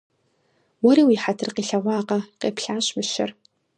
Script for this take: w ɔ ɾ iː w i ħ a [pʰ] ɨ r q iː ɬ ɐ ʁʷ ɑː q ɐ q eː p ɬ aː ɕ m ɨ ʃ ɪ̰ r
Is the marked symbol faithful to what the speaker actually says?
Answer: no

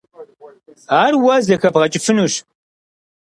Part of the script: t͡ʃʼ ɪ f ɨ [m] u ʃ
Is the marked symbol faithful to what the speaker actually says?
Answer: no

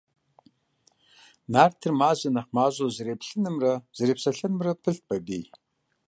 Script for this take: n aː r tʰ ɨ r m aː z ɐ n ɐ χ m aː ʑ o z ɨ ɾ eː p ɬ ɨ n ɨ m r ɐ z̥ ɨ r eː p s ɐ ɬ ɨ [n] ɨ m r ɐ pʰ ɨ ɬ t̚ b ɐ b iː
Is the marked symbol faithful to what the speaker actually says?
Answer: yes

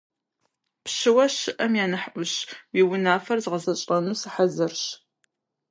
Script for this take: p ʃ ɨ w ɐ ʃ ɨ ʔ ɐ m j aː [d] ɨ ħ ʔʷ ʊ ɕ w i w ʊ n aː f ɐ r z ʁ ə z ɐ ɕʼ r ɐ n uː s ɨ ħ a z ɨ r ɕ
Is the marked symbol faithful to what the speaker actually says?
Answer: no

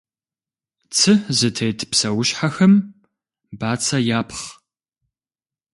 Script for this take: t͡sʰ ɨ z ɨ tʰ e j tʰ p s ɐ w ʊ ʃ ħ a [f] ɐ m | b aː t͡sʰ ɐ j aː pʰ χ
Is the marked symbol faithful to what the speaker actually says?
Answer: no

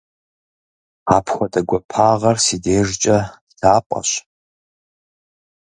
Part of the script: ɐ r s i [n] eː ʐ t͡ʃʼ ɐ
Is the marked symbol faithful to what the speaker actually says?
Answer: no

